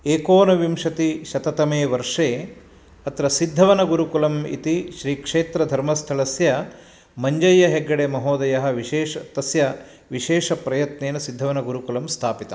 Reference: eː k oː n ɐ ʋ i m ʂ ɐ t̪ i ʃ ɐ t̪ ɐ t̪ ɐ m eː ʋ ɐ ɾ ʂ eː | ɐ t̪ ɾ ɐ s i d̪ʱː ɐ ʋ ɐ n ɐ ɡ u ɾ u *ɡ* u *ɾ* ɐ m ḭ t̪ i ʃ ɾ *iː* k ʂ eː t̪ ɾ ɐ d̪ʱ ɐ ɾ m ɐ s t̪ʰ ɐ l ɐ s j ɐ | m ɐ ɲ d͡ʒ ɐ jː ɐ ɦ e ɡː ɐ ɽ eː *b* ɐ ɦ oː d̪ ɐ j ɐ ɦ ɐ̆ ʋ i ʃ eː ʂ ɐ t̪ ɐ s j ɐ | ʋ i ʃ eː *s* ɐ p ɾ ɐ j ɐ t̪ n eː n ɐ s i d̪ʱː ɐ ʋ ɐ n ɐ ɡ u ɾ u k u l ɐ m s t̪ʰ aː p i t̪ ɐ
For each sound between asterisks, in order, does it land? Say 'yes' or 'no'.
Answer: no, no, yes, no, no

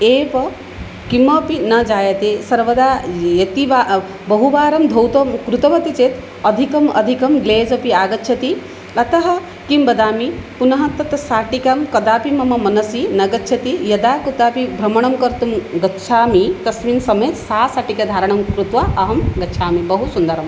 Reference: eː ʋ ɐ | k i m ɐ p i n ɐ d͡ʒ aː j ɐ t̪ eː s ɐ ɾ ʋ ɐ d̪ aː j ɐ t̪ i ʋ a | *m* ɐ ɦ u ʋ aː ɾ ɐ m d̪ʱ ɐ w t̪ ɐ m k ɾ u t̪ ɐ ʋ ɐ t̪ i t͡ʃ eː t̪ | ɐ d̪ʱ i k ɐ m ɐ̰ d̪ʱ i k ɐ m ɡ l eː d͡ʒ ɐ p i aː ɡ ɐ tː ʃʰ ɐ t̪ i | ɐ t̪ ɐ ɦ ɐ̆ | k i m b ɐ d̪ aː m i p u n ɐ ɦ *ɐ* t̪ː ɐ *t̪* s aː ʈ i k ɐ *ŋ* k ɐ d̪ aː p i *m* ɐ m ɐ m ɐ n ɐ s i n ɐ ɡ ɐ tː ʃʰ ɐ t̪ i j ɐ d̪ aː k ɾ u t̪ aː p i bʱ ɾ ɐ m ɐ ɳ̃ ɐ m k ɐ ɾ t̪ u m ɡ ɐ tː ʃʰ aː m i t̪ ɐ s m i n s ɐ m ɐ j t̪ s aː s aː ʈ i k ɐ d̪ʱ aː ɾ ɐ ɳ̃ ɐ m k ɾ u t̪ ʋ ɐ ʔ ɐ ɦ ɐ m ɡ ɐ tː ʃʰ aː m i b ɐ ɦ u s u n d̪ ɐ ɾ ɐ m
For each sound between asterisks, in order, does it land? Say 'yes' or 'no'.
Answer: no, yes, yes, no, yes

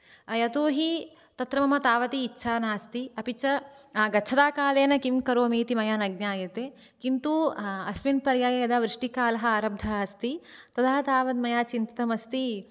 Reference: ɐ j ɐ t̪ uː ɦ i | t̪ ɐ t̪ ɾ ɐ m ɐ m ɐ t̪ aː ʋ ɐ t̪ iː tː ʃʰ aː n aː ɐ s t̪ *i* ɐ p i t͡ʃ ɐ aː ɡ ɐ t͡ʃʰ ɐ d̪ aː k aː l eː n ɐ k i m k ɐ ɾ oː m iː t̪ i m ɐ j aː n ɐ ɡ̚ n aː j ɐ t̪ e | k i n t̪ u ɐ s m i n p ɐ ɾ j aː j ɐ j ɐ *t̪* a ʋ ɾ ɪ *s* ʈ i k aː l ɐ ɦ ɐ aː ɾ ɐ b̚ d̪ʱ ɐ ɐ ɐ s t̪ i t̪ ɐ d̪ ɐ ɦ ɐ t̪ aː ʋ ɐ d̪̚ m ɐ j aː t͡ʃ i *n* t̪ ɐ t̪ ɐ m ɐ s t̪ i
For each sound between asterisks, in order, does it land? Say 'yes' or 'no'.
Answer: yes, no, no, yes

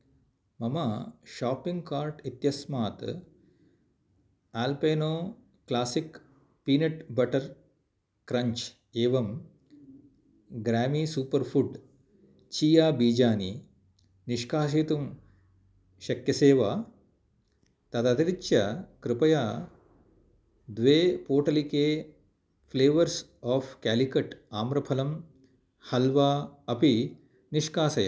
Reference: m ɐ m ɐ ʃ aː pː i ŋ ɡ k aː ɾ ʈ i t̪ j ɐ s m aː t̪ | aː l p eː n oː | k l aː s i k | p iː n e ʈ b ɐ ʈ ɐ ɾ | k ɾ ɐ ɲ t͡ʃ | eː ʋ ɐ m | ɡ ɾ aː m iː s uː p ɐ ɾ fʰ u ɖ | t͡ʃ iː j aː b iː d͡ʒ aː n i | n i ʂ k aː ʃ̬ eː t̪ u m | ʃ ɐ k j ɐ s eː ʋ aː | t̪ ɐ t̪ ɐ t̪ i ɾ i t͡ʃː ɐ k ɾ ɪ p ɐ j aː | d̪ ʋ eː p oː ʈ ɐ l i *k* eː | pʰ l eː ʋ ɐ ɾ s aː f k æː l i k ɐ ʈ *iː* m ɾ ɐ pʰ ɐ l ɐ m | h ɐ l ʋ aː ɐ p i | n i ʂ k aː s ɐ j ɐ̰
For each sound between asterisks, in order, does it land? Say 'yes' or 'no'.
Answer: yes, no

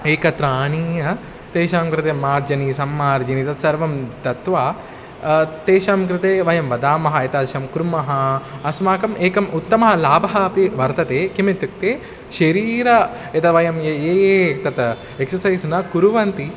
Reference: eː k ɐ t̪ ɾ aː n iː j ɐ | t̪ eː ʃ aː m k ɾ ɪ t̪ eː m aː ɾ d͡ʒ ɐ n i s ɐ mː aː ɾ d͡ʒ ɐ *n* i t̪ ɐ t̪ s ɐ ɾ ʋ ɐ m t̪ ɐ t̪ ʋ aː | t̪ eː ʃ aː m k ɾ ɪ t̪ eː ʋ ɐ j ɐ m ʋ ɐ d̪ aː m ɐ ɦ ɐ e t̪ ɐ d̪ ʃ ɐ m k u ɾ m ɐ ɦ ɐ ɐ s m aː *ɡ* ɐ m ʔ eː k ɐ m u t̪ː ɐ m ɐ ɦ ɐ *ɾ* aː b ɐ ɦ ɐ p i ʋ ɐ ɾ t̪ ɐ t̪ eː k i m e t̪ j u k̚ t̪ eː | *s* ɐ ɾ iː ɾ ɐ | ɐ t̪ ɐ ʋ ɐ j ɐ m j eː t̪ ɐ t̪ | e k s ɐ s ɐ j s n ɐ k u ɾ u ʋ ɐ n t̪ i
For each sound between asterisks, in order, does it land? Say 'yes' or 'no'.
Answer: yes, no, no, no

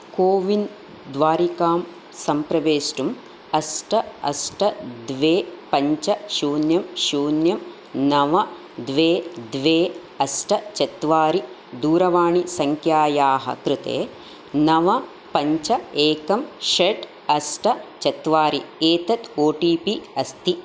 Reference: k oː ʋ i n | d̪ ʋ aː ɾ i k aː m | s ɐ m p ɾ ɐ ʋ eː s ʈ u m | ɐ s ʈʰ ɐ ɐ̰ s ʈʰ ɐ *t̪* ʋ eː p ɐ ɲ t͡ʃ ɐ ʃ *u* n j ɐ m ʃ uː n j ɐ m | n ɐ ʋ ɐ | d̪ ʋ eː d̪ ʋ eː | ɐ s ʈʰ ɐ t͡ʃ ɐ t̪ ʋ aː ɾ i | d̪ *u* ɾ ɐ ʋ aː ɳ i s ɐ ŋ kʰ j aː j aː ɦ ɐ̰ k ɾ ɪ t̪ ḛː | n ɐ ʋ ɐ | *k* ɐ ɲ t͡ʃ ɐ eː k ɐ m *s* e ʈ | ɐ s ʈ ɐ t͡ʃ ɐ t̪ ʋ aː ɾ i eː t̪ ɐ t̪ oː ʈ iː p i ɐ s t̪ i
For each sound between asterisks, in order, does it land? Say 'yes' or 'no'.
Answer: no, no, no, no, no

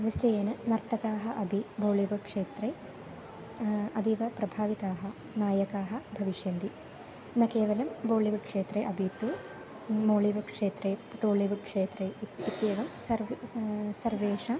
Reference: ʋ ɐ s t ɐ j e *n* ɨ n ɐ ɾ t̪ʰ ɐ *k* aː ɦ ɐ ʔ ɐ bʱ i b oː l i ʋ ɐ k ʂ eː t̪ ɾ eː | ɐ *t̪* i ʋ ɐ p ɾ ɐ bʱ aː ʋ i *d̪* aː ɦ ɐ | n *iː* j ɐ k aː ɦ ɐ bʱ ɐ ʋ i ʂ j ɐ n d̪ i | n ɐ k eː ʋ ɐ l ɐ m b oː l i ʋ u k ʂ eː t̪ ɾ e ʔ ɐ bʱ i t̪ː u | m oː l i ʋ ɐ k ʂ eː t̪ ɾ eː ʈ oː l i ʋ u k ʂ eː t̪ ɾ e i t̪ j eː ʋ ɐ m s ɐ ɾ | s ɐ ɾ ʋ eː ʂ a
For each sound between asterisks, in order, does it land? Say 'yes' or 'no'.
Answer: yes, yes, no, no, no

